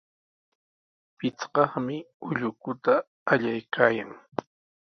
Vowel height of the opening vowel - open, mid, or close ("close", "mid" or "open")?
close